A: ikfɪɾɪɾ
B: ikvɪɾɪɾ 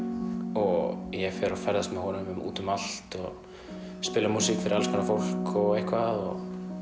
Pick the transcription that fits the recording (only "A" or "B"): A